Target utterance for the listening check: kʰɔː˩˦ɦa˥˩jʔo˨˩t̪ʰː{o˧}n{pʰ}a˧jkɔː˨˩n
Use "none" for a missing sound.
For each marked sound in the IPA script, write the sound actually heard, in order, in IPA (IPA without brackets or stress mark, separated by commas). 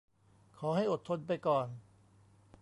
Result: o˧, p